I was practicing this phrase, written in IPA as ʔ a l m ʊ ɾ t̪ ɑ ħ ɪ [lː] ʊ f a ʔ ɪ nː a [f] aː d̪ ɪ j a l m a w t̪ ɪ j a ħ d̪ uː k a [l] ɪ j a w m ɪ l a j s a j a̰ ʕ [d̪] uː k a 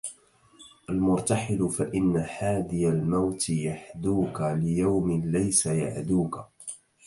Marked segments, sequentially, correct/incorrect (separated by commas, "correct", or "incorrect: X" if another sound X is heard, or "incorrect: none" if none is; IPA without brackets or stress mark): incorrect: l, incorrect: ħ, correct, correct